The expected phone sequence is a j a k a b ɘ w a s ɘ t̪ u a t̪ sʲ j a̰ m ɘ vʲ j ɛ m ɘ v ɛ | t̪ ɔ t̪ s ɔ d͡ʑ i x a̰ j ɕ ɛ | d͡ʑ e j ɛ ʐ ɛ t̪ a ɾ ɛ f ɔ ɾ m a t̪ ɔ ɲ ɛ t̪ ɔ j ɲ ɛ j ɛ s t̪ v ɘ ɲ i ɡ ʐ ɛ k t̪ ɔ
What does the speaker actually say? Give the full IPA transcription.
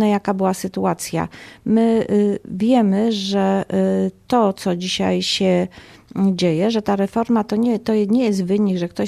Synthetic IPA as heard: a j a k a b ɘ w a s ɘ t̪ u a t̪ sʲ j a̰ m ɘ vʲ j ɛ m ɘ ʐ ɛ | t̪ ɔ t̪ s ɔ d͡ʑ i ɕ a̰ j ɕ ɛ | d͡ʑ e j ɛ ʐ ɛ t̪ a ɾ ɛ f ɔ ɾ m a t̪ ɔ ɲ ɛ t̪ ɔ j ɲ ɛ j ɛ s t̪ v ɘ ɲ i ɡ ʐ ɛ k t̪ ɔ